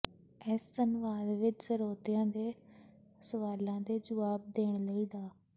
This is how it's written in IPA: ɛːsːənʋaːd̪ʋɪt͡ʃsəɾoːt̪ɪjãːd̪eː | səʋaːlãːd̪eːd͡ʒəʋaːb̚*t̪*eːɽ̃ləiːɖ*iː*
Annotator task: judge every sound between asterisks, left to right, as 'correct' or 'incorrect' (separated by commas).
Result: incorrect, incorrect